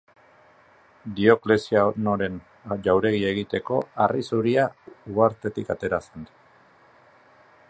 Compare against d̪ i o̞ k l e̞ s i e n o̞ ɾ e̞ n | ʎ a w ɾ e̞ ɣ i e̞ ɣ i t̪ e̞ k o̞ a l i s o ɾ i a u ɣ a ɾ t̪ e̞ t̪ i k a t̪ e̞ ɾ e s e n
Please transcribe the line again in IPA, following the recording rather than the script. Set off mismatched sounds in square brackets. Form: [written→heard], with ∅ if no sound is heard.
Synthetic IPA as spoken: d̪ i o̞ k l e̞ s i [e→a] n o̞ ɾ e̞ n | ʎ a w ɾ e̞ ɣ i e̞ ɣ i t̪ e̞ k o̞ a [l→r] i s [o→u] ɾ i a u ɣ a ɾ t̪ e̞ t̪ i k a t̪ e̞ ɾ [e→a] s e n